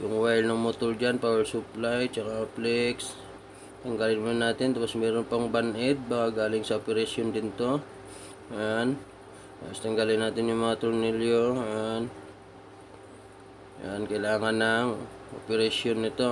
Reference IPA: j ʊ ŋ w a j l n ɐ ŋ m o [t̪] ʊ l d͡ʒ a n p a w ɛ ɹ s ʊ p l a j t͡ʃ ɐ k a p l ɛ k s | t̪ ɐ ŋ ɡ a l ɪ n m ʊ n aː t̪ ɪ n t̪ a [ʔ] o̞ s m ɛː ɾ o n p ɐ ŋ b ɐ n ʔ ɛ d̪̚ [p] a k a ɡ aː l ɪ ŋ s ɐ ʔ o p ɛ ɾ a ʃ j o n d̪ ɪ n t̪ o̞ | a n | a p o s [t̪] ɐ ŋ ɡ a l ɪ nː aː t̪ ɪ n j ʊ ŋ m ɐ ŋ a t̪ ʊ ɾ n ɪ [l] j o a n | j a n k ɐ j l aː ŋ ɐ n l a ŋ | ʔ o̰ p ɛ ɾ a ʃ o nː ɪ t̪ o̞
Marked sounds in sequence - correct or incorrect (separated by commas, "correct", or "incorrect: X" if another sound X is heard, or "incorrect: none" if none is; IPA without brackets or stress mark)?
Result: correct, incorrect: p, incorrect: b, correct, correct